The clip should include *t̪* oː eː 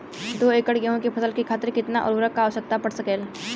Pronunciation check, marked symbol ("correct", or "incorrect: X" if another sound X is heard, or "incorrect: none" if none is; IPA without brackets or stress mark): incorrect: d̪